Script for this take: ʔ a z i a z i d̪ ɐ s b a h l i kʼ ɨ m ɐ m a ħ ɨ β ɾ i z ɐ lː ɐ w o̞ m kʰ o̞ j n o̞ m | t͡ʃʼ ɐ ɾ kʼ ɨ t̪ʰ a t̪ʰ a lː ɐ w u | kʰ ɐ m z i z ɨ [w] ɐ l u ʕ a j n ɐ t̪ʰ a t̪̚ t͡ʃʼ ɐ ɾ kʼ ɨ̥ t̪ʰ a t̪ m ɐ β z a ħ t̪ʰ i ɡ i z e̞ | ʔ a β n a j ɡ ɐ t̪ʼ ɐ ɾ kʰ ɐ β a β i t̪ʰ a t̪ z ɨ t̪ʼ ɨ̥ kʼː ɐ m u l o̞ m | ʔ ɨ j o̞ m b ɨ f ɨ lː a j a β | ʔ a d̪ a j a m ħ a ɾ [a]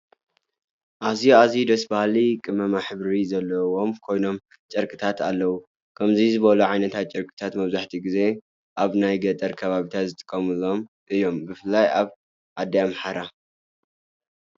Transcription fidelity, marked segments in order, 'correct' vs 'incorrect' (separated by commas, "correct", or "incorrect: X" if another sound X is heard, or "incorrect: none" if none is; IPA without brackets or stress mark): incorrect: β, correct